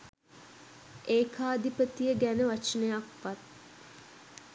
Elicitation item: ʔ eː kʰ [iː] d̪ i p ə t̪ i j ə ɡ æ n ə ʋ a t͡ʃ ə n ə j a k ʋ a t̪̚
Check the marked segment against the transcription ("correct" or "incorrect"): incorrect